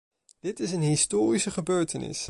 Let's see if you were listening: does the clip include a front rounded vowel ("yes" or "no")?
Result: yes